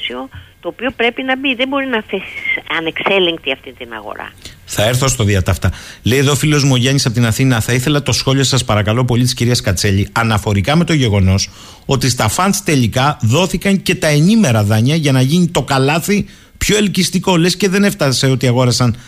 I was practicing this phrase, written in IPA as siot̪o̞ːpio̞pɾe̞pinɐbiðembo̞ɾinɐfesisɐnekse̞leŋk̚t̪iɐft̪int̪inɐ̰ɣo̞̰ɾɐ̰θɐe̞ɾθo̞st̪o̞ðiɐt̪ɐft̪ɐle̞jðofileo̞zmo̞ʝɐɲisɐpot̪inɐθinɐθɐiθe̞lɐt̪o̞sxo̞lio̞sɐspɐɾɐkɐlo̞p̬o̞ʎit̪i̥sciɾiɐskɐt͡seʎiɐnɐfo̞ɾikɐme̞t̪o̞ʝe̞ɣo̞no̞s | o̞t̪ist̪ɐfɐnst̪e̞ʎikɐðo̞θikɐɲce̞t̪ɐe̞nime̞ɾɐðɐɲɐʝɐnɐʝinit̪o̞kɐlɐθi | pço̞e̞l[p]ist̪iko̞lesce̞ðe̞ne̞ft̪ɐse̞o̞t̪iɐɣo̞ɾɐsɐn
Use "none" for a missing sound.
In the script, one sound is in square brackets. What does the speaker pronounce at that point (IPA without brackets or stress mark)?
c